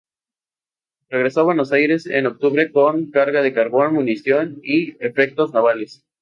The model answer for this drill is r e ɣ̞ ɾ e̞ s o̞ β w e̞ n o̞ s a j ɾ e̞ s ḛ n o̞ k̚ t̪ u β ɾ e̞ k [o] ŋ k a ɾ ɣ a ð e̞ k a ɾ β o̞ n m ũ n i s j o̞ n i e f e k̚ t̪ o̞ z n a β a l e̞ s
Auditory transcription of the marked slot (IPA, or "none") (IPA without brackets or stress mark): o